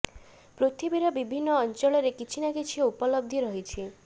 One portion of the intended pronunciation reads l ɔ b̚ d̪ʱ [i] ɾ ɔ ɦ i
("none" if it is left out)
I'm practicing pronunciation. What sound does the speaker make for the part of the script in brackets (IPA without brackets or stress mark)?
i